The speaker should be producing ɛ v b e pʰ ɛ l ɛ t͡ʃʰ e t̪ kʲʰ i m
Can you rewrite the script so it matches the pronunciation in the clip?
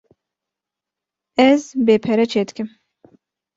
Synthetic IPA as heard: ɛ z b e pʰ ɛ ɾ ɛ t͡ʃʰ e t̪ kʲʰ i m